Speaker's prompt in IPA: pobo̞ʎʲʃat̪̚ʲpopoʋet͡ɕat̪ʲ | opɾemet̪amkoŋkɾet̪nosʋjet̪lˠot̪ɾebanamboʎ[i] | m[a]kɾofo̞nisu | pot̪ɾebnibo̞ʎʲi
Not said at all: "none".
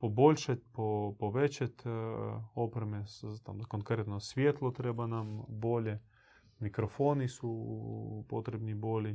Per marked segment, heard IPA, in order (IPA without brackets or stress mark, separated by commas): e, i